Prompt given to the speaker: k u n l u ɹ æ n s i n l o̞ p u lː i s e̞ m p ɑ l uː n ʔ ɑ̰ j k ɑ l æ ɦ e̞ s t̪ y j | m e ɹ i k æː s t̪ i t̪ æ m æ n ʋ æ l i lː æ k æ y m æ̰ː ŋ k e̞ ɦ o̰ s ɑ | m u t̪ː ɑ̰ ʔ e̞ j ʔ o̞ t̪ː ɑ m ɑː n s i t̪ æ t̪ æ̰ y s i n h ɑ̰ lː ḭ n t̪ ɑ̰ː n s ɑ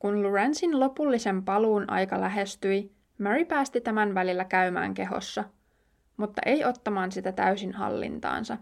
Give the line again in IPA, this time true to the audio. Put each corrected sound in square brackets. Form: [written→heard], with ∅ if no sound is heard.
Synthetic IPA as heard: k u n l u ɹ æ n s i n l o̞ p u lː i s e̞ m p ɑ l uː n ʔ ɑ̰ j k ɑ l æ ɦ e̞ s t̪ y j | m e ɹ i [k→p] æː s t̪ i t̪ æ m æ n ʋ æ l i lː æ k æ y m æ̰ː ŋ k e̞ ɦ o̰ [s→sː] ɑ | m u t̪ː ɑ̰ ʔ e̞ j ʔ o̞ t̪ː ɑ m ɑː n s i t̪ æ t̪ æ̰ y s i n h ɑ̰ lː ḭ n t̪ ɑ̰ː n s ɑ